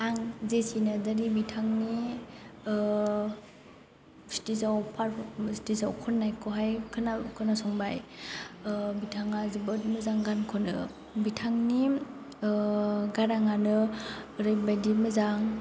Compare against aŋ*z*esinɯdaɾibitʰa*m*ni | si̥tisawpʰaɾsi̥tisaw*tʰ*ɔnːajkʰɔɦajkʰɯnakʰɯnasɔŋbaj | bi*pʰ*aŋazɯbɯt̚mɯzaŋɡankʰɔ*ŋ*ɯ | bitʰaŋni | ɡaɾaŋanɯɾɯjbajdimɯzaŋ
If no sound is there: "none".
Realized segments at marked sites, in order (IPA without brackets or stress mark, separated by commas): z, ŋ, kʰ, tʰ, n